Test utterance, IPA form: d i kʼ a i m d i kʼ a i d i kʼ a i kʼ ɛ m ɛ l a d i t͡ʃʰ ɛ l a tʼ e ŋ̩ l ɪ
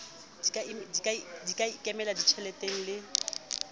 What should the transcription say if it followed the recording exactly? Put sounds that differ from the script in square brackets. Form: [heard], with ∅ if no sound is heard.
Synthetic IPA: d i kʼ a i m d i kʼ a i d i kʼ a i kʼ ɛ m ɛ l a d i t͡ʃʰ ɛ l [ɛ] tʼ e ŋ̩ l ɪ